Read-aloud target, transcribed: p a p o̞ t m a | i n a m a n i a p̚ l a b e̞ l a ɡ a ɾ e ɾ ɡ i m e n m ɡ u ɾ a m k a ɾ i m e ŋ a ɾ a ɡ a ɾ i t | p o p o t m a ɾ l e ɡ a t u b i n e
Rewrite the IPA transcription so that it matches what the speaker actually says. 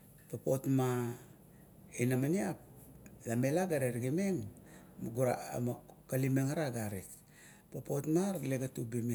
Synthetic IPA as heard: p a p o̞ t m a | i n a m a n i a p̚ l a m e̞ l a ɡ a ɾ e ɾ ɡ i m e ŋ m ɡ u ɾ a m k a l i m e ŋ a ɾ a ɡ a ɾ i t | p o p o t m a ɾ l e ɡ a t u b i m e